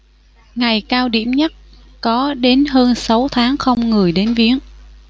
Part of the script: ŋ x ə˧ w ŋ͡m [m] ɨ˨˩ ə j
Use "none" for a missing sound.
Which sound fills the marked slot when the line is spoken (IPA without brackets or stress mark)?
ŋ